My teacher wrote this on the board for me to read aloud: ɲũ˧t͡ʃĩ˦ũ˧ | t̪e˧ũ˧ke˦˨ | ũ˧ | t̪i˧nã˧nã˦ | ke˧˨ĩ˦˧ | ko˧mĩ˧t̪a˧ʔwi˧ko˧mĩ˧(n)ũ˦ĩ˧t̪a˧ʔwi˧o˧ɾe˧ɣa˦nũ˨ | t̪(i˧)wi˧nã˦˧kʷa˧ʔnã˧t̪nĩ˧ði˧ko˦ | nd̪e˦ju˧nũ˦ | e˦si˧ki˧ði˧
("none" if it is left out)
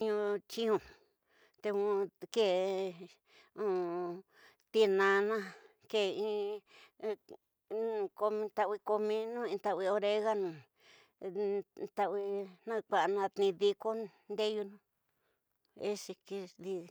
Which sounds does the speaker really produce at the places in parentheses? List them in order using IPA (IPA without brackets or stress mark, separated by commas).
n, a˧